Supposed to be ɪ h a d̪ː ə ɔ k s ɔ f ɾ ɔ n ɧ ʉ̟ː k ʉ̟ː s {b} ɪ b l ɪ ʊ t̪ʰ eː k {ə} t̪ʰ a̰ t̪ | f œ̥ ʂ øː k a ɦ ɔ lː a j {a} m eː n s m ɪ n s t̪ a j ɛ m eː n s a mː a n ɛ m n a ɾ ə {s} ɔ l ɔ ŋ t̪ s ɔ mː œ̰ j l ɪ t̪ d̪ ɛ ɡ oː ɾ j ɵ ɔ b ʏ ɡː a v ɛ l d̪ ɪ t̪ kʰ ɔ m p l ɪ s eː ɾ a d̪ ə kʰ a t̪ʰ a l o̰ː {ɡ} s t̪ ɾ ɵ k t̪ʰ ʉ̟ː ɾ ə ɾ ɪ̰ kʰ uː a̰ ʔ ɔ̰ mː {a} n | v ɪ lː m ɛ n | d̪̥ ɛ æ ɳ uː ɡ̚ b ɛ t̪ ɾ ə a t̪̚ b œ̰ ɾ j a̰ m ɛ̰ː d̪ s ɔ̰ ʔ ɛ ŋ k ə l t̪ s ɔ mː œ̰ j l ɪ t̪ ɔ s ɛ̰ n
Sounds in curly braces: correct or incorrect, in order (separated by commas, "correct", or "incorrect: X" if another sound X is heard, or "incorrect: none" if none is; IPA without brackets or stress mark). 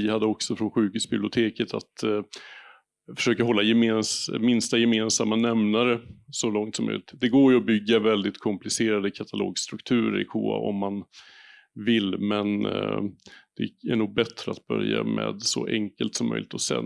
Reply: correct, correct, incorrect: ɛ, correct, correct, correct